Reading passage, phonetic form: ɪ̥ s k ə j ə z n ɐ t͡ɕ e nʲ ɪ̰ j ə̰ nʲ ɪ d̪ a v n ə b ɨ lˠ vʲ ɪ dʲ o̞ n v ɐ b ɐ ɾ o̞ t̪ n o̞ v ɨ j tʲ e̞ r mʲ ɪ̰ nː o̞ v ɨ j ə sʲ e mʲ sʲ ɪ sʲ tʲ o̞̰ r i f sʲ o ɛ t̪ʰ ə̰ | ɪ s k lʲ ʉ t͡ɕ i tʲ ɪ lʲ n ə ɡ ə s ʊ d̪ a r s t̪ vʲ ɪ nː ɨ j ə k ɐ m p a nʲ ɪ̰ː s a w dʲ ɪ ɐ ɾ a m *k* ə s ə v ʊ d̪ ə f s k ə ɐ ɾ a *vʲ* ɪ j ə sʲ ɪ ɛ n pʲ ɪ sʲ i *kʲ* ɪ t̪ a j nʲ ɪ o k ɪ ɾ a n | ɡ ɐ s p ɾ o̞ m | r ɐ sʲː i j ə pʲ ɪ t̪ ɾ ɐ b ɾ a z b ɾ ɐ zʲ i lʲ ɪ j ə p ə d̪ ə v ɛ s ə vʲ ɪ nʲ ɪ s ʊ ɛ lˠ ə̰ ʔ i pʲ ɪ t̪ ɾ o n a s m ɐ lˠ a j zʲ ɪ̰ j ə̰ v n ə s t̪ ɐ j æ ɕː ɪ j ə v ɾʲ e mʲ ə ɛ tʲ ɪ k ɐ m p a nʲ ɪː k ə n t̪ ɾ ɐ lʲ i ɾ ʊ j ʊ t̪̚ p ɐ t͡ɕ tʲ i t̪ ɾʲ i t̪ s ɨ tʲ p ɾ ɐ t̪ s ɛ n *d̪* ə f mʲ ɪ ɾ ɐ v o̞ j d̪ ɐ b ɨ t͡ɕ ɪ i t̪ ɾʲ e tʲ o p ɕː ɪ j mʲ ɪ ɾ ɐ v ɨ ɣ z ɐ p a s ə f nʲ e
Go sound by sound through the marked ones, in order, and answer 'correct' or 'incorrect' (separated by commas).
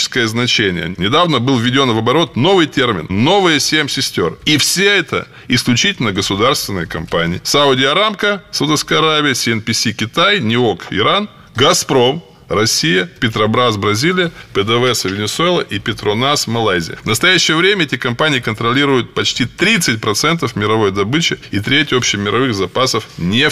correct, correct, correct, incorrect